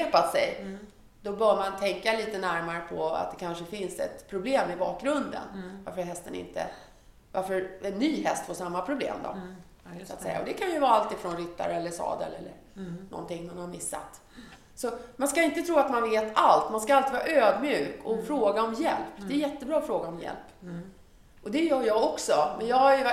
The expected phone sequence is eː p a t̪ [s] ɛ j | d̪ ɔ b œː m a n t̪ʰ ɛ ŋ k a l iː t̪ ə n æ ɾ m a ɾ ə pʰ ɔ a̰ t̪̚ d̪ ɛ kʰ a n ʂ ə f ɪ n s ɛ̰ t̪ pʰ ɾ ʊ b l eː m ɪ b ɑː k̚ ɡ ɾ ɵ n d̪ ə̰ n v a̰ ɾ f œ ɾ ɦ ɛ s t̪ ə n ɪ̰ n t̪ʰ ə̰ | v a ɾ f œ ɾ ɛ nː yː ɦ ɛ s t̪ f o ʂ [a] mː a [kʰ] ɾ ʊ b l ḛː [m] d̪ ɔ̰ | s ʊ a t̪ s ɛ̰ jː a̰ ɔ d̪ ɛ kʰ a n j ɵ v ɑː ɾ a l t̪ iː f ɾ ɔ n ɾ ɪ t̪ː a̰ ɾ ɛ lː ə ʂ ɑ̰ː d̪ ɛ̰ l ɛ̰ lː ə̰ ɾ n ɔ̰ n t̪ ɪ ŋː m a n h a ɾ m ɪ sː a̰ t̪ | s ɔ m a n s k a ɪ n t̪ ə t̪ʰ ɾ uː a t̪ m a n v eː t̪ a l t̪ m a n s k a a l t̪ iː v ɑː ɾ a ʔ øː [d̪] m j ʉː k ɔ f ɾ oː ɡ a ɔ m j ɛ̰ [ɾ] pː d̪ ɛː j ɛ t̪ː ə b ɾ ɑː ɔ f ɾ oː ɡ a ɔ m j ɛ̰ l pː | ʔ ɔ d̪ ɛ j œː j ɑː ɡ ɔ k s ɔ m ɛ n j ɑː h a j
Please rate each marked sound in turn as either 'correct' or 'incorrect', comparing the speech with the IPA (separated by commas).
correct, correct, incorrect, correct, correct, incorrect